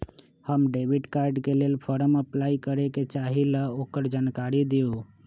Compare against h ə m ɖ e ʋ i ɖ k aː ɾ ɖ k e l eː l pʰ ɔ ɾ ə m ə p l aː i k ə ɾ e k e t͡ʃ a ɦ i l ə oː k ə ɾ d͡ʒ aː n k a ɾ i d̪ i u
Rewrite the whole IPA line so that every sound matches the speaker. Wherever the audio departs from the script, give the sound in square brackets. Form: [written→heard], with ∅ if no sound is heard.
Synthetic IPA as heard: h ə m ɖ e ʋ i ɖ k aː ɾ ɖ k e l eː l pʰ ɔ ɾ ə m ə p l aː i k ə ɾ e k e t͡ʃ a ɦ i l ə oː k ə ɾ d͡ʒ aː n k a ɾ i d̪ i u